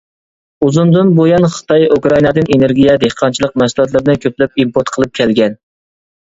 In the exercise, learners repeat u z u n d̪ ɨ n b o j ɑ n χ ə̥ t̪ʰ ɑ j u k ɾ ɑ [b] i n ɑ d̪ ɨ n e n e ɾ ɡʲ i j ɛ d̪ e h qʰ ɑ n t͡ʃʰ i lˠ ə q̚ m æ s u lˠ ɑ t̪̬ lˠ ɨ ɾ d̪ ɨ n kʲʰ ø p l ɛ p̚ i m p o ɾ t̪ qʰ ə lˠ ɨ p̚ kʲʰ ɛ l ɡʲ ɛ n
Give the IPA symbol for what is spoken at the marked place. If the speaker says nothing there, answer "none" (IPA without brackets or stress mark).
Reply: none